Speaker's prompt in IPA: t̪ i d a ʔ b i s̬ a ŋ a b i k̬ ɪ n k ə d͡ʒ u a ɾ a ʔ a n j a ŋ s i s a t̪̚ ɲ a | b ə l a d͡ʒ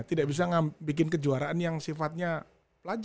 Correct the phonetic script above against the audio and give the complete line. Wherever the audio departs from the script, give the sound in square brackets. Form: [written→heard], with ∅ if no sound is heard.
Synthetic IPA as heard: t̪ i d a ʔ b i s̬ a ŋ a b i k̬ ɪ n k ə d͡ʒ u a ɾ a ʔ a n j a ŋ s i [s→f] a t̪̚ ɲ a | [b→p] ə l a d͡ʒ